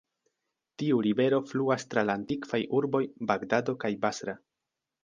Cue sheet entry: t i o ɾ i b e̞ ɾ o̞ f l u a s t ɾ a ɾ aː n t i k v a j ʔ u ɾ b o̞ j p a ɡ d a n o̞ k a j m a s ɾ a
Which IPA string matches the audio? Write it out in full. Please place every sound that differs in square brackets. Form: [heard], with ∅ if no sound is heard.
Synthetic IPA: t i [u] ɾ i b e̞ ɾ o̞ f l u a s t ɾ a [l] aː n t i k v a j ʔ u ɾ b o̞ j [b] a ɡ d a [d] o̞ k a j [b] a s ɾ a